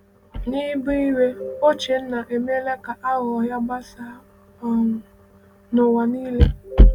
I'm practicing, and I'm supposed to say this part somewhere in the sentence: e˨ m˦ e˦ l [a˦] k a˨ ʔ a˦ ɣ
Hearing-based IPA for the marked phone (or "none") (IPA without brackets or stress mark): e˦